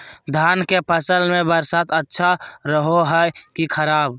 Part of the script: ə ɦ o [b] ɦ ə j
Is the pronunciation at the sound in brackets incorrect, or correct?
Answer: incorrect